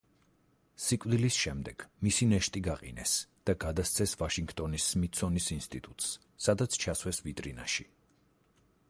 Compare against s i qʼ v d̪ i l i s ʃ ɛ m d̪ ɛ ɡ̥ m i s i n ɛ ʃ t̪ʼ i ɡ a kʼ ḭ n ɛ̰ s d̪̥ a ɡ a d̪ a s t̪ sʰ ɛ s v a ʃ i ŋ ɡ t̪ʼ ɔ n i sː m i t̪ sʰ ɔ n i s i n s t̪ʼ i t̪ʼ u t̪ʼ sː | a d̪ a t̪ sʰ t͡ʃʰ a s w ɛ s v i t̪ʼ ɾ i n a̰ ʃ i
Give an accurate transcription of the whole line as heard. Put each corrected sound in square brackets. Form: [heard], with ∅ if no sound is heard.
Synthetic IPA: s i [kʼ] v d̪ i l i s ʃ ɛ m d̪ ɛ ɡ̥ m i s i n ɛ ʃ t̪ʼ i ɡ a [qʼ] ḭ n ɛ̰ s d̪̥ a ɡ a d̪ a s t̪ sʰ ɛ s v a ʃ i ŋ ɡ t̪ʼ ɔ n i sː m i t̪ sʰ ɔ n i s i n s t̪ʼ i t̪ʼ u t̪ʼ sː | a d̪ a t̪ sʰ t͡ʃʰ a s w ɛ s v i t̪ʼ ɾ i n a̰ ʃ i